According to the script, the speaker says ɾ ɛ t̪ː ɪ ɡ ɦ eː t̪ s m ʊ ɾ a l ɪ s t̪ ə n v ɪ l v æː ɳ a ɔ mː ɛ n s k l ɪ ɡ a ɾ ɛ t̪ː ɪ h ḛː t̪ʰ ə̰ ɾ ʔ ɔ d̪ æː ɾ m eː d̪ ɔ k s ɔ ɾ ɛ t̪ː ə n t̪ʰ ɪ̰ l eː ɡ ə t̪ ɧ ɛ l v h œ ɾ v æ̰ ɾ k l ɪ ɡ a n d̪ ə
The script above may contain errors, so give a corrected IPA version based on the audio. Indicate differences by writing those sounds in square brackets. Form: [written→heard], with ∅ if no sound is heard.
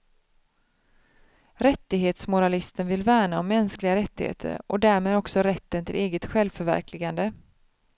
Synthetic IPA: ɾ ɛ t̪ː ɪ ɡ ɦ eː t̪ s m ʊ ɾ a l ɪ s t̪ ə n v ɪ l v æː ɳ a ɔ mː ɛ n s k l ɪ ɡ a ɾ ɛ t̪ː ɪ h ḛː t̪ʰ ə̰ ɾ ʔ ɔ d̪ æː ɾ m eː d̪ ɔ k s ɔ ɾ ɛ t̪ː ə n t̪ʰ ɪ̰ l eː ɡ ə t̪ ɧ ɛ l v [h→f] œ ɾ v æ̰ ɾ k l ɪ ɡ a n d̪ ə